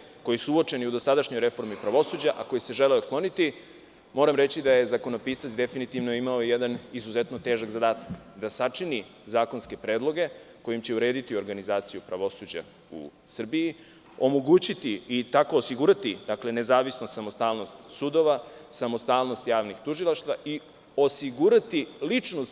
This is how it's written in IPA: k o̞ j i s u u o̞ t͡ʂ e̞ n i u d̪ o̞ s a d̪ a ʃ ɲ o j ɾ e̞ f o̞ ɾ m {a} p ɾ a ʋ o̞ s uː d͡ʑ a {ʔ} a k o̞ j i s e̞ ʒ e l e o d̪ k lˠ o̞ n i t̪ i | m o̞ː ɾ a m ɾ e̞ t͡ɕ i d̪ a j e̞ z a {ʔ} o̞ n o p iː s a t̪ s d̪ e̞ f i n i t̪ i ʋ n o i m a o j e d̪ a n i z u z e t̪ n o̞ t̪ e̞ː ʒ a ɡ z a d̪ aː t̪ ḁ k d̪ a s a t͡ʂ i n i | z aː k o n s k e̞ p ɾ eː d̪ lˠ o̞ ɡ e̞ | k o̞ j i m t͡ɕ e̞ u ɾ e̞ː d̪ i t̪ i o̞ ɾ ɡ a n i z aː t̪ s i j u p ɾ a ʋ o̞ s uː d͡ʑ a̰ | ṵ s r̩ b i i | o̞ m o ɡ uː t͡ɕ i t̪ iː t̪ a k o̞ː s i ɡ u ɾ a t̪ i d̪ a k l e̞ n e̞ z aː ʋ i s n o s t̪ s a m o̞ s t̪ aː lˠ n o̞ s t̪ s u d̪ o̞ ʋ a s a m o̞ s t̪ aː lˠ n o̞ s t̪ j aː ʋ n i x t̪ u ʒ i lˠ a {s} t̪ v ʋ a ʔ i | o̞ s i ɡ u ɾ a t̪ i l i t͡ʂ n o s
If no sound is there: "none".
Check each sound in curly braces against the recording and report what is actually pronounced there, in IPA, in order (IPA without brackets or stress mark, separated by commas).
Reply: i, ʔ, k, ʃ